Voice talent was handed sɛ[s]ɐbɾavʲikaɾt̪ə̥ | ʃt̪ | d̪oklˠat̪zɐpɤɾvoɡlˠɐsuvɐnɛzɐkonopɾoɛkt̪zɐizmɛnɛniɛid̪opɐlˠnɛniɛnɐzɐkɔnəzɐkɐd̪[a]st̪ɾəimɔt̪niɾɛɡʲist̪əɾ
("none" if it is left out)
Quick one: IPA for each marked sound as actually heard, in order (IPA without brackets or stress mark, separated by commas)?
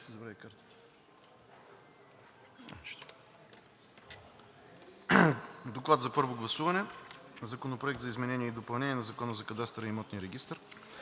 z, a